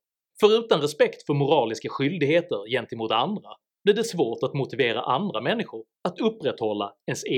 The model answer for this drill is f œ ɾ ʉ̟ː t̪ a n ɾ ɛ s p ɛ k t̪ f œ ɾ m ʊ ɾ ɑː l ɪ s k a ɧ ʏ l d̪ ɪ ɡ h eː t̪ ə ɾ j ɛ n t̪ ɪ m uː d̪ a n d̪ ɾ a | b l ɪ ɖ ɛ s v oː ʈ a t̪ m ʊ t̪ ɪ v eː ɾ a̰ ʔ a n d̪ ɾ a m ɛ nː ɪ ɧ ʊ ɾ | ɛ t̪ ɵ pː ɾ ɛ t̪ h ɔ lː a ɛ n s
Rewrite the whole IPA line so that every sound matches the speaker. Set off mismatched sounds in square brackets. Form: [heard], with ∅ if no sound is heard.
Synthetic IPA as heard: f œ ɾ ʉ̟ː t̪ a n ɾ ɛ s p ɛ k t̪ f œ ɾ m ʊ ɾ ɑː l ɪ s k a ɧ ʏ l d̪ ɪ ɡ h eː t̪ ə ɾ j ɛ n t̪ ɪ m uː [t̪] a n d̪ ɾ a | b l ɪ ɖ ɛ s v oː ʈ a t̪ m ʊ t̪ ɪ v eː ɾ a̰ ʔ a n d̪ ɾ a m ɛ nː ɪ ɧ ʊ ɾ | [a] t̪ ɵ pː ɾ ɛ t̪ h ɔ lː a ɛ n s